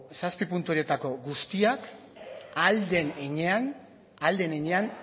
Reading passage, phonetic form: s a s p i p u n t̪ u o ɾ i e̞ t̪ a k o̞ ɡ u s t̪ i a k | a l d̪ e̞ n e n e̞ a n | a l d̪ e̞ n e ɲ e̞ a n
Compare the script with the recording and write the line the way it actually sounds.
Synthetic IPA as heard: s a s p i p u n t̪ u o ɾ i e̞ t̪ a k o̞ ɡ u s t̪ i a k | a l d̪ e̞ n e ɲ e̞ a n | a l d̪ e̞ n e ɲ e̞ a n